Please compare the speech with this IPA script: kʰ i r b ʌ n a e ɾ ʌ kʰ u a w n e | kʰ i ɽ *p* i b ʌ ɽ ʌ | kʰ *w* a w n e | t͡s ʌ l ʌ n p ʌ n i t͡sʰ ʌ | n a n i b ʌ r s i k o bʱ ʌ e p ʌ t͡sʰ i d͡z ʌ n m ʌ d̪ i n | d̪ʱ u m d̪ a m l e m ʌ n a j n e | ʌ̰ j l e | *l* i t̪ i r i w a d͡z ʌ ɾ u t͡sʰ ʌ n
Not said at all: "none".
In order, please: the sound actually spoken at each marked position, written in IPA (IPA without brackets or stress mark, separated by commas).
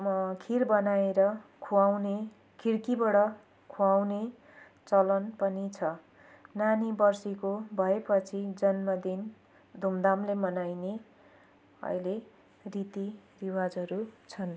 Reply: k, u, r